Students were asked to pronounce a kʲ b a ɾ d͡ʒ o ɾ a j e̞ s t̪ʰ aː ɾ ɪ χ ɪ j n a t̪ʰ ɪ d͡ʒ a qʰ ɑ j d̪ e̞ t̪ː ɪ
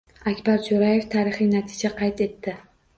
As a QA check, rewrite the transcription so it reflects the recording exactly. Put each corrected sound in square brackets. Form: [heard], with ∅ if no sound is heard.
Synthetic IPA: a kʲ b a ɾ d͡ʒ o ɾ a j e̞ [f] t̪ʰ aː ɾ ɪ χ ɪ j n a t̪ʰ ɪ d͡ʒ a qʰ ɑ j [t̪] e̞ t̪ː ɪ